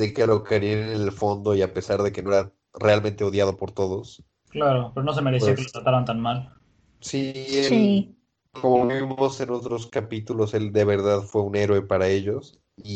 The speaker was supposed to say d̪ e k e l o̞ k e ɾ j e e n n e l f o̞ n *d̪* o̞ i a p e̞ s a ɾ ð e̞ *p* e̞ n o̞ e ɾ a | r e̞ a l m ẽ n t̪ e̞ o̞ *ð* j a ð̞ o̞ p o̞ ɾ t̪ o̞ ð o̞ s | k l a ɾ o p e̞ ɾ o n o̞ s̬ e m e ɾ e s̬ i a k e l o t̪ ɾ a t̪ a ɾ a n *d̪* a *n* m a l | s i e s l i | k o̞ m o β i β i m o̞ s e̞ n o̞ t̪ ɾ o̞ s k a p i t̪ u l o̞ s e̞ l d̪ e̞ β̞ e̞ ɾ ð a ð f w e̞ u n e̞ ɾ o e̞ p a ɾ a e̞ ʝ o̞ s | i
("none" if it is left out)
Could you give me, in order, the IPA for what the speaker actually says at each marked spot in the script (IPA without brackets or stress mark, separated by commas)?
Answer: d̪, k, ð, t̪, n